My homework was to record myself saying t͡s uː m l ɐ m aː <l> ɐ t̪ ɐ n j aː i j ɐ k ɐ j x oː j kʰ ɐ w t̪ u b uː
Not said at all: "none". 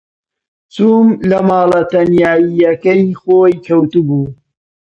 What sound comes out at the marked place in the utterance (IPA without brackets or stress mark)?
l